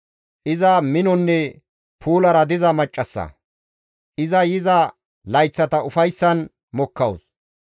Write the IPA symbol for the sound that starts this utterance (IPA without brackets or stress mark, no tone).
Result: ʔ